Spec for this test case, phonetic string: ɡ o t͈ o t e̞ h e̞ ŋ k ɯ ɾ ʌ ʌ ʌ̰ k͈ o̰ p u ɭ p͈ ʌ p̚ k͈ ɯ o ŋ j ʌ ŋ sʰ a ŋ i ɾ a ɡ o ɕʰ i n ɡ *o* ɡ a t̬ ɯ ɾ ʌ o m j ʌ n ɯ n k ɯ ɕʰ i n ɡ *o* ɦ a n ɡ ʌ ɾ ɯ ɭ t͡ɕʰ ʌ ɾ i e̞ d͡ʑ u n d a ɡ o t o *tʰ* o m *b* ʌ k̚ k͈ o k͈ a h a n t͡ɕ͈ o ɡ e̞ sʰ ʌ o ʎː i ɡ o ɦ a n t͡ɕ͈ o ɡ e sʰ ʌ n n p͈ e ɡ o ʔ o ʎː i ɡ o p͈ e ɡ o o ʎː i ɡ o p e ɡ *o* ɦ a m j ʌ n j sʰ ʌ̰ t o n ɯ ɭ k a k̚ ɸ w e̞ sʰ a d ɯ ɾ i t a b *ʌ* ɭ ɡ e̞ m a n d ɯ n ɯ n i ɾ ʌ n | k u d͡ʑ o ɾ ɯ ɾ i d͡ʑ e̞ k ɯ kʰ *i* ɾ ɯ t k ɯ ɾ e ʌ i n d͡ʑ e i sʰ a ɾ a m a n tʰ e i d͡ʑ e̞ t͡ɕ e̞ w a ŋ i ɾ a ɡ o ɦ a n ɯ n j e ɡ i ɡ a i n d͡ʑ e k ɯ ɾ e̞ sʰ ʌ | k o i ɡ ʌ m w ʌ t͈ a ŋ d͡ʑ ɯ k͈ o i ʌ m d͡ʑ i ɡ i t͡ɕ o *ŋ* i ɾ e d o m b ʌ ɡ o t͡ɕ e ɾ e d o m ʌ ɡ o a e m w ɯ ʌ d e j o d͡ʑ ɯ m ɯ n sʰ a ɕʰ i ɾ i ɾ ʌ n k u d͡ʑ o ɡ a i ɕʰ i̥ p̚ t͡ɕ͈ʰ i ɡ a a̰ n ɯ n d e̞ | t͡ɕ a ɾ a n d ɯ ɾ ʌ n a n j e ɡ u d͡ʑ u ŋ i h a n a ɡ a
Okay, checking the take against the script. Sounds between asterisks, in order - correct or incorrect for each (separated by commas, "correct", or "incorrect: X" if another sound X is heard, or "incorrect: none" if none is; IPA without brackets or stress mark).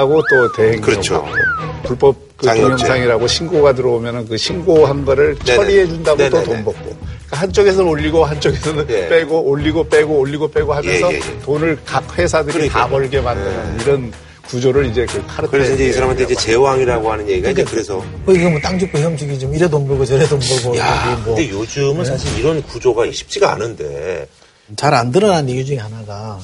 correct, correct, incorrect: t, correct, correct, correct, incorrect: a, incorrect: m